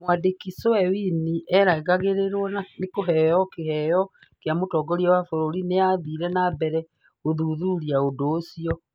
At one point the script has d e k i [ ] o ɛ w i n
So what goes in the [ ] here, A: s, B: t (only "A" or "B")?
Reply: A